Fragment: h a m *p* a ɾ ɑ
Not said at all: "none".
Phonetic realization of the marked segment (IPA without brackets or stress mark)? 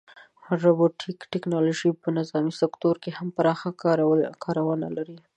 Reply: p